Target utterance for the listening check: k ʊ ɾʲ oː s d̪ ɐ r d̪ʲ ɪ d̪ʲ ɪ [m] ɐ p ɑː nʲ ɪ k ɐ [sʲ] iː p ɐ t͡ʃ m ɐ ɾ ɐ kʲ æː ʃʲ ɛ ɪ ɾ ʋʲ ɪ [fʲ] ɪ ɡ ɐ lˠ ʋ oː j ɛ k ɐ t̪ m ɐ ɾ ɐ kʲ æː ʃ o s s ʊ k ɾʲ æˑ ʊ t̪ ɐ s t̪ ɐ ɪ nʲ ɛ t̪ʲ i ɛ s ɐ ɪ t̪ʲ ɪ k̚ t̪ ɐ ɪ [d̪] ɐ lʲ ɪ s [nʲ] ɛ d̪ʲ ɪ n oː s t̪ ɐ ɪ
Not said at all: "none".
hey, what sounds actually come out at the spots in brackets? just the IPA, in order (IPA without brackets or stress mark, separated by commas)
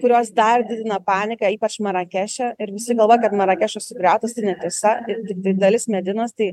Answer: n, none, sʲ, d̪, mʲ